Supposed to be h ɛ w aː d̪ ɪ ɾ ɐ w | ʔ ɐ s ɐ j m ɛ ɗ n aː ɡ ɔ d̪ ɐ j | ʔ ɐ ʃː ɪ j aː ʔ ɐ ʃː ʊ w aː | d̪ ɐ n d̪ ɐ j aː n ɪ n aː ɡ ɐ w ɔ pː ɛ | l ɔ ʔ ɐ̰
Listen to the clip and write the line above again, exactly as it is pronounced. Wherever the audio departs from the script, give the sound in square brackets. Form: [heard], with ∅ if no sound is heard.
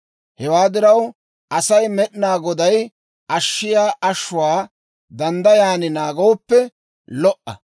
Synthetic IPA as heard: h ɛ w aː d̪ ɪ ɾ ɐ w | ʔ ɐ s ɐ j m ɛ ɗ n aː ɡ ɔ d̪ ɐ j | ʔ ɐ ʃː ɪ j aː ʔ ɐ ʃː ʊ w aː | d̪ ɐ n d̪ ɐ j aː n ɪ n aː ɡ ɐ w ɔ pː ɛ | l ɔ ʔ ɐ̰